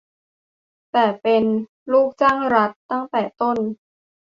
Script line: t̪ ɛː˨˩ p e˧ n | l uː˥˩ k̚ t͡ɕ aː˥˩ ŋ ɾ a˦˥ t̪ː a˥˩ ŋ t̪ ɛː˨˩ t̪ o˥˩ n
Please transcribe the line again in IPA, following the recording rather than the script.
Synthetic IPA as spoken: t̪ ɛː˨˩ p e˧ n | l uː˥˩ k̚ t͡ɕ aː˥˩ ŋ ɾ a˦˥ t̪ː a˥˩ ŋ t̪ ɛː˨˩ t̪ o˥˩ n